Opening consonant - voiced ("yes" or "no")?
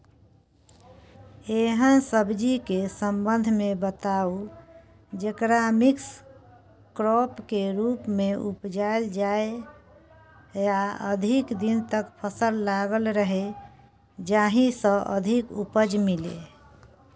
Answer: yes